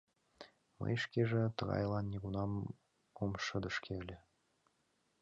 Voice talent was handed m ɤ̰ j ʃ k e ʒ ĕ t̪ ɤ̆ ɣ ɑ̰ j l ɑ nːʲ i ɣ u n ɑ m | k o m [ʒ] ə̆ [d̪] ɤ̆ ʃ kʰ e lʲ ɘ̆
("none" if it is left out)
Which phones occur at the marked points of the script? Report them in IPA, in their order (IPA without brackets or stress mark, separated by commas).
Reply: ʃ, d̪